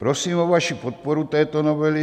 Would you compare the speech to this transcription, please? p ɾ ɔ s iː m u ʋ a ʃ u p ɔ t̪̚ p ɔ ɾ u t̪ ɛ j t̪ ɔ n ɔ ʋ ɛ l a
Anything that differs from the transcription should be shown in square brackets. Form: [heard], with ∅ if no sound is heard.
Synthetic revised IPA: p ɾ ɔ s iː m [ɔ] ʋ a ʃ u p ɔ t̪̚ p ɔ ɾ u t̪ ɛ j t̪ ɔ n ɔ ʋ ɛ l [i]